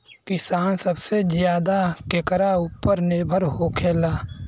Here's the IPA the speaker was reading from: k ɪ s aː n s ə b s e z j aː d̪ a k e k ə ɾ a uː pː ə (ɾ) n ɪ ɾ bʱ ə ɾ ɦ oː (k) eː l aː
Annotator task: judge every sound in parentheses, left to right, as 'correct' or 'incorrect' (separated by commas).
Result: correct, incorrect